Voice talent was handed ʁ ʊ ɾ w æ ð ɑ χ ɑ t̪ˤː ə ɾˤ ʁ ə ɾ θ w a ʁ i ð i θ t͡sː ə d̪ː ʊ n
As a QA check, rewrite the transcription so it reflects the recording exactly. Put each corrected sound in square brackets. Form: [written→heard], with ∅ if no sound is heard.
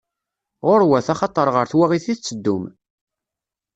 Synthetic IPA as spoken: ʁ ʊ ɾ w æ [ð→θ] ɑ χ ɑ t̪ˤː ə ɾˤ ʁ ə ɾ θ w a ʁ i [ð→θ] i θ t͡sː ə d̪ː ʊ [n→m]